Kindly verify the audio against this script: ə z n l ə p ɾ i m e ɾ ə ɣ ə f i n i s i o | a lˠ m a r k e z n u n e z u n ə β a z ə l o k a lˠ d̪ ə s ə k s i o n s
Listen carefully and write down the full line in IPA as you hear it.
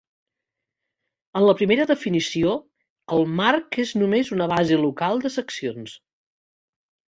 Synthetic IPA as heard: ə n l ə p ɾ i m e ɾ ə ð ə f i n i s i o | ə lˠ m a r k e z n u m e z u n ə β a z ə l u k a lˠ d̪ ə s ə k s i o n s